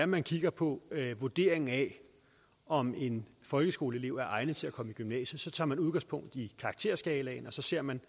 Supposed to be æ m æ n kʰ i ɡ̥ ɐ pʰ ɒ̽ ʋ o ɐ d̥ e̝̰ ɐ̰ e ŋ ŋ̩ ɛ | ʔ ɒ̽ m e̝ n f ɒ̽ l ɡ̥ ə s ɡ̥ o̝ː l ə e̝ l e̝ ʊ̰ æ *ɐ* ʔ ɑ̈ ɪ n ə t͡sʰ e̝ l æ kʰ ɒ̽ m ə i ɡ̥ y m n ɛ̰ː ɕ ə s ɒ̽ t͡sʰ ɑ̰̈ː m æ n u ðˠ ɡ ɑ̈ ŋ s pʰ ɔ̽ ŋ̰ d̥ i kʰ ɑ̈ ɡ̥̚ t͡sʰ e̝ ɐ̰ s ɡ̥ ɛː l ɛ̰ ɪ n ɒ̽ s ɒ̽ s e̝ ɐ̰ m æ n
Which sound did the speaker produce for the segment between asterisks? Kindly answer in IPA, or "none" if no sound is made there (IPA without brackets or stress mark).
ɐ